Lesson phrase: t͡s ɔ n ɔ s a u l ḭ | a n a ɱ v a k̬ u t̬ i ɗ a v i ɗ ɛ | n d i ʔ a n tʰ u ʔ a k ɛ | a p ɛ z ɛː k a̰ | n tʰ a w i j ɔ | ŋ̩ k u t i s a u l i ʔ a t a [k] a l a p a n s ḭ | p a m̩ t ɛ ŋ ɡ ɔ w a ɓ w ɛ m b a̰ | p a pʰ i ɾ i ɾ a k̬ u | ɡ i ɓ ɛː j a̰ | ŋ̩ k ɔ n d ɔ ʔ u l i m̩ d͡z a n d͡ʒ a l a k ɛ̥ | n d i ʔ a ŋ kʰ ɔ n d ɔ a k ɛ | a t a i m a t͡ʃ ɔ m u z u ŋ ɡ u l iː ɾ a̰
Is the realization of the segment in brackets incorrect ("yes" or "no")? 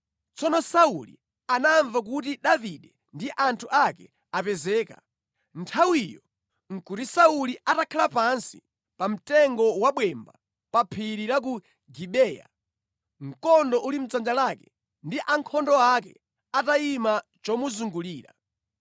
yes